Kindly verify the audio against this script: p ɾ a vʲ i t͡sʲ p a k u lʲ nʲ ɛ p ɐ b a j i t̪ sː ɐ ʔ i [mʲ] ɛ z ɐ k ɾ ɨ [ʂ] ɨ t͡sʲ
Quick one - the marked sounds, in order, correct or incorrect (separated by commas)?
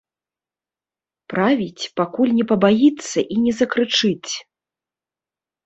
incorrect, incorrect